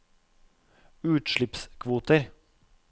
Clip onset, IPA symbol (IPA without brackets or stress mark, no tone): ʉː